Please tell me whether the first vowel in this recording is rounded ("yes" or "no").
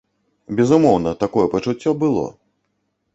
no